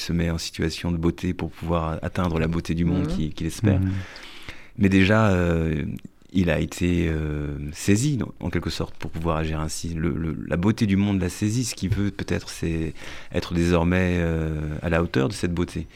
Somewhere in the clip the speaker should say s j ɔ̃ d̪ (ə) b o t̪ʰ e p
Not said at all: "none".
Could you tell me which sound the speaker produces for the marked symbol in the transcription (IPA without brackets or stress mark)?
ə